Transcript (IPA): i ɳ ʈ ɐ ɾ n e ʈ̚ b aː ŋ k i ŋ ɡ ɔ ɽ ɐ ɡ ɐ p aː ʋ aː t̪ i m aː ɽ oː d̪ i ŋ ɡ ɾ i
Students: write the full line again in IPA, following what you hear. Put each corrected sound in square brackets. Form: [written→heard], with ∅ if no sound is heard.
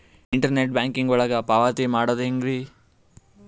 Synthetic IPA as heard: i ɳ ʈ ɐ ɾ n e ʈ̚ b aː ŋ k i ŋ ɡ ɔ [ɽ→ɭ] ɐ ɡ ɐ p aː ʋ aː t̪ i m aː ɽ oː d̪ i ŋ ɡ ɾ i